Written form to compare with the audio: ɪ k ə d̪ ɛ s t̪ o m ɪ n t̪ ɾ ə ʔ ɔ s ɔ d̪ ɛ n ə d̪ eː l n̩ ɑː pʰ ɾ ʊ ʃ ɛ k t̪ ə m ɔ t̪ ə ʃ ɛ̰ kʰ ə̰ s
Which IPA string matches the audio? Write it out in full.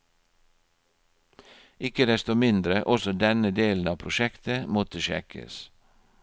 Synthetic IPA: ɪ k ə d̪ ɛ s t̪ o m ɪ n d̪ ɾ ə ʔ ɔ s ɔ d̪ ɛ n ə d̪ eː l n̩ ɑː pʰ ɾ ʊ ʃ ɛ k t̪ ə m ɔ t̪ ə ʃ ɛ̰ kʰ ə̰ s